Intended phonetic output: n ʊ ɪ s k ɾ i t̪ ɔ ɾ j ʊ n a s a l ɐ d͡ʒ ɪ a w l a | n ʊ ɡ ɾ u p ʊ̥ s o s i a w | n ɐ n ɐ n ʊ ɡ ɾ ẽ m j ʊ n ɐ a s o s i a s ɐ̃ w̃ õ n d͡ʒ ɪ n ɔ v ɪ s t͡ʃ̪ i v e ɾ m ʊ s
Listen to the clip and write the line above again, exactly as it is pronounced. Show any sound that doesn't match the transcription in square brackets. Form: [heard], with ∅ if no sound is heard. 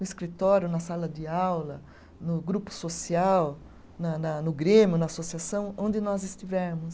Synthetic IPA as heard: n ʊ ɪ s k ɾ i t̪ ɔ ɾ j ʊ n [ɐ] s a l ɐ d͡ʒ ɪ a w l [ɐ] | n ʊ ɡ ɾ u p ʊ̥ s o s i a w | n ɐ n ɐ n ʊ ɡ ɾ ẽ m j ʊ n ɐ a s o s i a s ɐ̃ w̃ õ n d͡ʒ ɪ n ɔ [z] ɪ s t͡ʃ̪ i v [ɛ] ɾ m ʊ s